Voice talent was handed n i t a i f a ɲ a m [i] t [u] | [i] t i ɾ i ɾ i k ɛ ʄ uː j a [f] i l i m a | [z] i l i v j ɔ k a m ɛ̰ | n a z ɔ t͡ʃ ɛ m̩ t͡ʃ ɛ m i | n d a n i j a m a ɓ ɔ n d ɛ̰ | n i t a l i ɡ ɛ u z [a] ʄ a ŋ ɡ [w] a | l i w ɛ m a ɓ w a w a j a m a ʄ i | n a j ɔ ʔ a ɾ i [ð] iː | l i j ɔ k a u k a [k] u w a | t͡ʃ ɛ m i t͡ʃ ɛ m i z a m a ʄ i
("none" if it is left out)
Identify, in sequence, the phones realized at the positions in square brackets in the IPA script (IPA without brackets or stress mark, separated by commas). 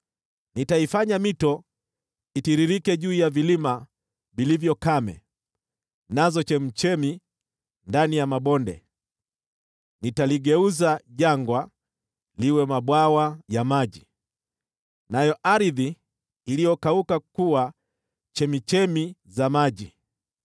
i, ɔ, i, v, v, a, w, ð, k